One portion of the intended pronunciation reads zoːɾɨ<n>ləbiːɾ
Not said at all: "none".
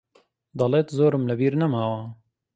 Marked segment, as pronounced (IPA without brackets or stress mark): m